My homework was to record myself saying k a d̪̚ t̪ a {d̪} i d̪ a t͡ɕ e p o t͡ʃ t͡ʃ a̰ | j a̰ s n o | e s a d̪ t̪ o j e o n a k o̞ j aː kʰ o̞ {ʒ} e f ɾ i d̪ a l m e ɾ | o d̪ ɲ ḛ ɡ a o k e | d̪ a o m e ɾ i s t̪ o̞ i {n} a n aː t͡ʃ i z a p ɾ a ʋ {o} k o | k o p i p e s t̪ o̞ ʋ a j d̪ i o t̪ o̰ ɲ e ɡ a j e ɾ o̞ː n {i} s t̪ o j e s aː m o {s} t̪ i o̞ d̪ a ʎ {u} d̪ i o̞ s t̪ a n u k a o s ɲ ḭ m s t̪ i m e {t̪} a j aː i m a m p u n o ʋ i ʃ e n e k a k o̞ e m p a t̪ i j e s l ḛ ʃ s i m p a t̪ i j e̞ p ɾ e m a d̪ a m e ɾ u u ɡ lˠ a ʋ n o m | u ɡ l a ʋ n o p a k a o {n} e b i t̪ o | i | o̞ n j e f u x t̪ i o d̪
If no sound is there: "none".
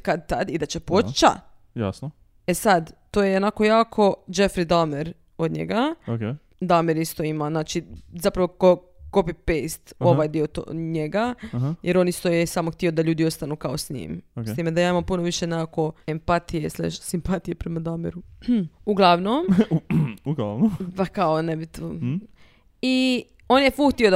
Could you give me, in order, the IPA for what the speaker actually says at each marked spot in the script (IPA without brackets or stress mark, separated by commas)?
d̪, d͡ʒ, m, o, i, x, uː, d̪, n